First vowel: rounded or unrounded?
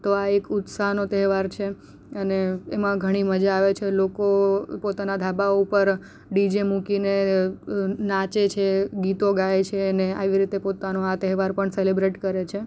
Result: rounded